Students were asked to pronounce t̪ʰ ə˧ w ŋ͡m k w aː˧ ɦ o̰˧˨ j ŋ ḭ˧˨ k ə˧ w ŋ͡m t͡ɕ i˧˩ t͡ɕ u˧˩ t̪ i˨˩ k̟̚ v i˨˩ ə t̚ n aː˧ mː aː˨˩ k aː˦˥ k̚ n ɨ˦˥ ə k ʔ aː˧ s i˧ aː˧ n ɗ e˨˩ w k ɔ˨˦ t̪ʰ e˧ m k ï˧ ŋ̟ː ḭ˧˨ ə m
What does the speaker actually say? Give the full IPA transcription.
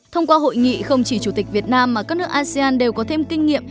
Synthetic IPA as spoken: t̪ʰ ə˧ w ŋ͡m k w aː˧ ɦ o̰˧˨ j ŋ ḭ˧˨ x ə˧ w ŋ͡m t͡ɕ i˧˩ t͡ɕ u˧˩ t̪ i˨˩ k̟̚ v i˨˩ ə t̚ n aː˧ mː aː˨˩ k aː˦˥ k̚ n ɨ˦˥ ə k ʔ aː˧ s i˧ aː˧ n ɗ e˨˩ w k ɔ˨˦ t̪ʰ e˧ m k ï˧ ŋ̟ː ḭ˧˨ ə m